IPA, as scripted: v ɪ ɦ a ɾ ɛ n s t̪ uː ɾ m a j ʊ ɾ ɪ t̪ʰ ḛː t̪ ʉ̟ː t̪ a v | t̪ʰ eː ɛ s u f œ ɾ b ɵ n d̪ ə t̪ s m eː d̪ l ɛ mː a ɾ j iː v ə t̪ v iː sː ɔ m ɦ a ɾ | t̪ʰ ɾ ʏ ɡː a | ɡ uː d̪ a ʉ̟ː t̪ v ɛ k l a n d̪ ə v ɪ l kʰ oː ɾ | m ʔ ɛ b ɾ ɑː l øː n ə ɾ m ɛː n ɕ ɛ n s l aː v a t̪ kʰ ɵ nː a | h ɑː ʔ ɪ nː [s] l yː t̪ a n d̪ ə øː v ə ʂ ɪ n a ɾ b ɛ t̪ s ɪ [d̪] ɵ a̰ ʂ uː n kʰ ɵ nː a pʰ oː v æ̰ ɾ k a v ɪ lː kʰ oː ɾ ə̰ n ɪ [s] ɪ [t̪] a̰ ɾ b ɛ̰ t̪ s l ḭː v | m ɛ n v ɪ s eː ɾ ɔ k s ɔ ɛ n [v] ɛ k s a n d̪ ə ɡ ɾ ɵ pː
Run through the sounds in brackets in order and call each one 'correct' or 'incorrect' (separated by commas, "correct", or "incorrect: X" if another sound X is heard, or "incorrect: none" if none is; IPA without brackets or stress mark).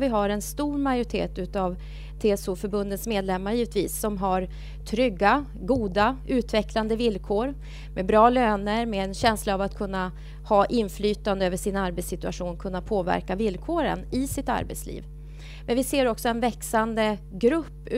incorrect: f, incorrect: t̪, correct, correct, correct